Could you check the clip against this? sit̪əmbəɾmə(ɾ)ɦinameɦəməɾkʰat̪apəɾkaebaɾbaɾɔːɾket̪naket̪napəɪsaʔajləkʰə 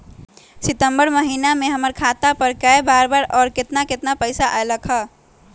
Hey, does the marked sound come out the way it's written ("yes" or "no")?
no